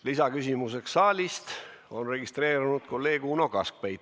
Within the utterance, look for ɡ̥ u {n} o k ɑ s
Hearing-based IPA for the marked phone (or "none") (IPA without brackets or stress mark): n